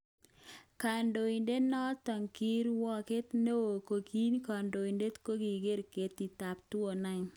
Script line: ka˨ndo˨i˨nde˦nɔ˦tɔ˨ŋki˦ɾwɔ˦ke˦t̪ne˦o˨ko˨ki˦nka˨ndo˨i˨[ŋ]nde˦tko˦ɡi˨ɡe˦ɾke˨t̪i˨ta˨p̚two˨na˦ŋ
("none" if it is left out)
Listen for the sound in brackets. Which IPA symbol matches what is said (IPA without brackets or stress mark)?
none